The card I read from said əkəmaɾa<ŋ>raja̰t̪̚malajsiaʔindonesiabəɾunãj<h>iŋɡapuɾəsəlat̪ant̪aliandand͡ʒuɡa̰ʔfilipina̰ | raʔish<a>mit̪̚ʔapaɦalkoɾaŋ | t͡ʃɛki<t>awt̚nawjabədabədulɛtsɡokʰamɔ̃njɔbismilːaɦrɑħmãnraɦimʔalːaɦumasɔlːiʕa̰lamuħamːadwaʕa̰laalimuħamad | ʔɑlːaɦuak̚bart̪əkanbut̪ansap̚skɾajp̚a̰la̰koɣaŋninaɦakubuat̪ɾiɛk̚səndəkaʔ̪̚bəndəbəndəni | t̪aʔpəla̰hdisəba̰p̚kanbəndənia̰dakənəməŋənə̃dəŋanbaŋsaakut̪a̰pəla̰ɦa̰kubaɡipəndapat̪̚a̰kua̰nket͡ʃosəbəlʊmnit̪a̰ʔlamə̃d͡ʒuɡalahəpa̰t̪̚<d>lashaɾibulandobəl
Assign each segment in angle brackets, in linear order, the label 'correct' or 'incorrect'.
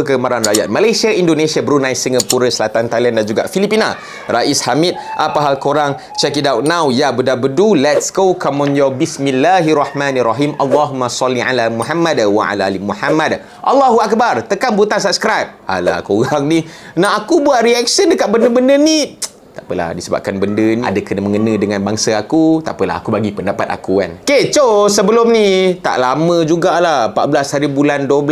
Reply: incorrect: n, incorrect: s, correct, incorrect: d, incorrect: b

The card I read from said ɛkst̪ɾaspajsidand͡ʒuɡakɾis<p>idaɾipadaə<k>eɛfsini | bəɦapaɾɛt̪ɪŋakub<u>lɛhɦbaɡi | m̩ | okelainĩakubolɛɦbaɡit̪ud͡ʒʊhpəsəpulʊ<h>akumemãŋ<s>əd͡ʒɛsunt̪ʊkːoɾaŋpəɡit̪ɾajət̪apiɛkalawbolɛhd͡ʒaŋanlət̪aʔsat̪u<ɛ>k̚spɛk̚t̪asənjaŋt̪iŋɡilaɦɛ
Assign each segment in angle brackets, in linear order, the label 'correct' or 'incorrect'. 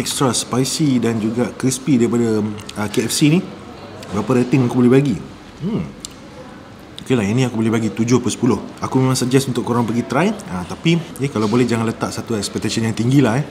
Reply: correct, correct, incorrect: o, correct, correct, correct

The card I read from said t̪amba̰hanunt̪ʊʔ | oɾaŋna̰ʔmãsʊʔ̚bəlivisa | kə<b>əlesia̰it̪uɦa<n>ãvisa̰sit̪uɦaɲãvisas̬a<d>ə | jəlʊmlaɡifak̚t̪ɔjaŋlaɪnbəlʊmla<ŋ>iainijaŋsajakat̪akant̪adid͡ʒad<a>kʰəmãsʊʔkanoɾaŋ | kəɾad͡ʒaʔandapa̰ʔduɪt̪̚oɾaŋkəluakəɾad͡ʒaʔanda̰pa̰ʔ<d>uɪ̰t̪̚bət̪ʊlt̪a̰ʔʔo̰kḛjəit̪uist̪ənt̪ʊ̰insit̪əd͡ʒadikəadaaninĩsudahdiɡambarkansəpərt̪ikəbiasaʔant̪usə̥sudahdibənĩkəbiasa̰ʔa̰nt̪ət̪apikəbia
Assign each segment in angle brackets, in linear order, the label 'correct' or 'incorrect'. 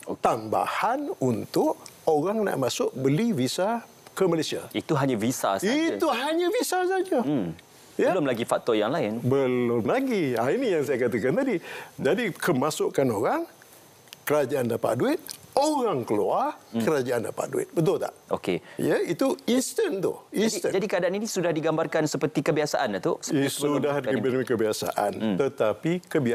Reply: incorrect: m, incorrect: ɲ, incorrect: d͡ʒ, incorrect: ɡ, incorrect: i, correct

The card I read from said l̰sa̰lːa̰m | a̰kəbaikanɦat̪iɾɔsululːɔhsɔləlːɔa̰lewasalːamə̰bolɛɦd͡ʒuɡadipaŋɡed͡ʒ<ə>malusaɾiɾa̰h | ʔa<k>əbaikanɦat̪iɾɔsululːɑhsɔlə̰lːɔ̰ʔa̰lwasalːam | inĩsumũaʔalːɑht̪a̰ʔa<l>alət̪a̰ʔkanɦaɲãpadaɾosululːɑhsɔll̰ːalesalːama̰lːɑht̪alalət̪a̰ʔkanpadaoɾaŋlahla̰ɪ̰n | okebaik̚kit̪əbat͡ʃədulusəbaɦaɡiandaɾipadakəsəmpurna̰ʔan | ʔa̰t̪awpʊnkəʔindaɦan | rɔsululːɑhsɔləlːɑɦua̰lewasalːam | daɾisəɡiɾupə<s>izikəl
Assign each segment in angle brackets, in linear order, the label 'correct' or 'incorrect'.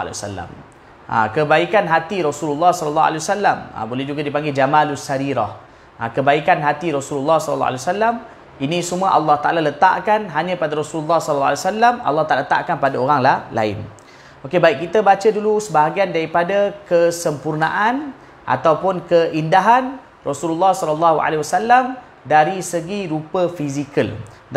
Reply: incorrect: a, correct, correct, incorrect: f

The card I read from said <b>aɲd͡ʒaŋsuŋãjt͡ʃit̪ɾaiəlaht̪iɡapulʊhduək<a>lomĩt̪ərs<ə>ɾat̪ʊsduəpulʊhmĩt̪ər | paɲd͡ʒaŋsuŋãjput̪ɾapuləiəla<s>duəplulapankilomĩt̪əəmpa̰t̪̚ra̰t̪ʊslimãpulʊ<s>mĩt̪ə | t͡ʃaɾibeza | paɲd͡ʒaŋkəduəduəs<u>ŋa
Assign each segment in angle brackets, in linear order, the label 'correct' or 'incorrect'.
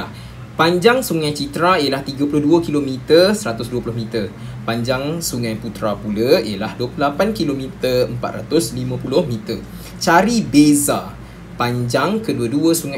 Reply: incorrect: p, incorrect: i, correct, incorrect: h, incorrect: h, correct

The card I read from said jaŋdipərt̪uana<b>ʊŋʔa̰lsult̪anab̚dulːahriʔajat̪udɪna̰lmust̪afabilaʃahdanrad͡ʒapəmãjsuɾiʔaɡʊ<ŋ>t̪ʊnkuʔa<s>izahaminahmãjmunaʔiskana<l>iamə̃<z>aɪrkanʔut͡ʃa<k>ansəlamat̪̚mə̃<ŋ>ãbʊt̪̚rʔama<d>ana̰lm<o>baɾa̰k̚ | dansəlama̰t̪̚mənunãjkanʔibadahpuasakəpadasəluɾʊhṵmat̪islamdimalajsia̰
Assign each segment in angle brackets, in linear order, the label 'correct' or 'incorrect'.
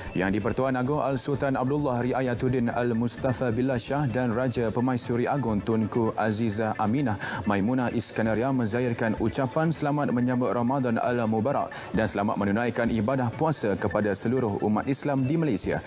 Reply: incorrect: ɡ, correct, incorrect: z, incorrect: ɾ, correct, incorrect: p, incorrect: ɲ, correct, incorrect: u

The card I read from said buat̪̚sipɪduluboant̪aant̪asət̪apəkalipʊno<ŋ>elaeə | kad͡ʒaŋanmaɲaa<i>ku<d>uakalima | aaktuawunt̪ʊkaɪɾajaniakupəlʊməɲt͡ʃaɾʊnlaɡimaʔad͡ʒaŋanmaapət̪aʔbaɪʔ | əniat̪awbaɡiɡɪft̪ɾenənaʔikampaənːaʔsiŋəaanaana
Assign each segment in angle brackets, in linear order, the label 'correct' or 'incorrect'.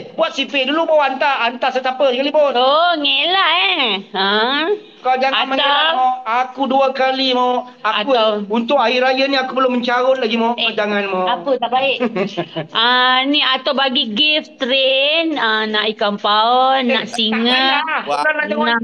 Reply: correct, incorrect: a, correct

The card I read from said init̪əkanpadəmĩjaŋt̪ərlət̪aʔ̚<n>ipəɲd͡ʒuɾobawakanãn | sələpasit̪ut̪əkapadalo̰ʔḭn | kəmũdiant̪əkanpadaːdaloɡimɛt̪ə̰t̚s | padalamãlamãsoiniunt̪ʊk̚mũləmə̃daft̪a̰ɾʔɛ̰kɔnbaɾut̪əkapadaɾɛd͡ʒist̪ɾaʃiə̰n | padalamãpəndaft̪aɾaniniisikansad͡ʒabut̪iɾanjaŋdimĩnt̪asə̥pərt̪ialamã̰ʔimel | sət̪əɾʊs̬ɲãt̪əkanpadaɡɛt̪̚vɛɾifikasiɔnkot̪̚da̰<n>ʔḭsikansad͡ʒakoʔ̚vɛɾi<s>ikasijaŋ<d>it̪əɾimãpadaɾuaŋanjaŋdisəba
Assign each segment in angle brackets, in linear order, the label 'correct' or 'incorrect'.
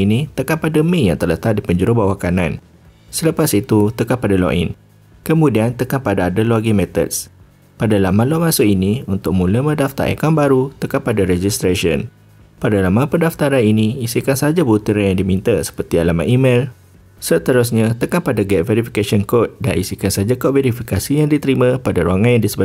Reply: incorrect: d, correct, incorrect: f, correct

